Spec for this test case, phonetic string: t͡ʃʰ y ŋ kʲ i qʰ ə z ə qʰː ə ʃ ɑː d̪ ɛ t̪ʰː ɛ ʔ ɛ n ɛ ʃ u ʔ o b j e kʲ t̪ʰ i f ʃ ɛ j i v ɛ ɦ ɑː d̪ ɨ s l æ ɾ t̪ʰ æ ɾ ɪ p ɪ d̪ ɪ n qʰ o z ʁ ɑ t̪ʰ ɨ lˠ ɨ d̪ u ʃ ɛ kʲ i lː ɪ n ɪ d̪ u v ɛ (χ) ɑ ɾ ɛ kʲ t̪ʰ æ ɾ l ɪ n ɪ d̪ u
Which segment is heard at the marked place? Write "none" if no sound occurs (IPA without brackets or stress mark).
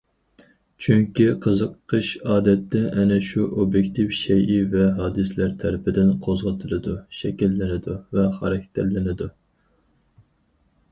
χ